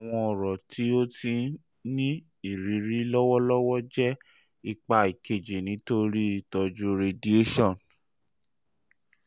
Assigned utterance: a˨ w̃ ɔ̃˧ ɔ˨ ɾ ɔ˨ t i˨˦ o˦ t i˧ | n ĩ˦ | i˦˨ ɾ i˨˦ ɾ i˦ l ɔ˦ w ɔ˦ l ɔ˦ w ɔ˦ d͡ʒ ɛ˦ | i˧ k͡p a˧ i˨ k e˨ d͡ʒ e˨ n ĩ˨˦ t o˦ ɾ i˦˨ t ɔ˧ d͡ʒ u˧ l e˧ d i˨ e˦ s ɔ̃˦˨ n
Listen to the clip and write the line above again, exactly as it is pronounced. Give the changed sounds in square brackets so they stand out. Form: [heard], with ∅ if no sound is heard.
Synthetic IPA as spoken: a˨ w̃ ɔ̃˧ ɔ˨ ɾ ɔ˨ t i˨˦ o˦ t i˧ | n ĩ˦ | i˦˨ ɾ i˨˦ ɾ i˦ l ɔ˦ w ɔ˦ l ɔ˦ w ɔ˦ d͡ʒ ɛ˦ | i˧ k͡p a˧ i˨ k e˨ d͡ʒ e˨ n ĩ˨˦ t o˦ ɾ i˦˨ t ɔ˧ d͡ʒ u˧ [ɾ] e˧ d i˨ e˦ [ʃ] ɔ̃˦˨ n